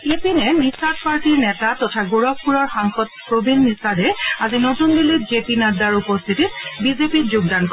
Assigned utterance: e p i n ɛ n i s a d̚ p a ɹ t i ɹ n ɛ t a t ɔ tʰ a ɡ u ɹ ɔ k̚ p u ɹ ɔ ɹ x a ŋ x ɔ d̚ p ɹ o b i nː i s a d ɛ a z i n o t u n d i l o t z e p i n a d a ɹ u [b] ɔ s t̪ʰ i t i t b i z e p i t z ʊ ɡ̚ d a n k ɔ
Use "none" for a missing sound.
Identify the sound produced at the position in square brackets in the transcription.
p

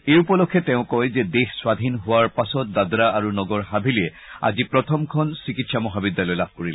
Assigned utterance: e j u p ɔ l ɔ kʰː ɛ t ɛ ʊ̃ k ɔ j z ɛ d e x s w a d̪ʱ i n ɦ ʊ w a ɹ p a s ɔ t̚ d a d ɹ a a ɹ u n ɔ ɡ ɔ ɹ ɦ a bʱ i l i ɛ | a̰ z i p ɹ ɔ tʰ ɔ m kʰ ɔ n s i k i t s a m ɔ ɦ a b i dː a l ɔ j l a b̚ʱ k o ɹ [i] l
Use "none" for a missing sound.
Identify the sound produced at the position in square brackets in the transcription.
i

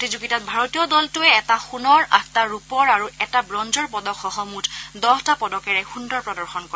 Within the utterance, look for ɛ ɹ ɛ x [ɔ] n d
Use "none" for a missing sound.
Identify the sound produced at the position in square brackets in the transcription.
u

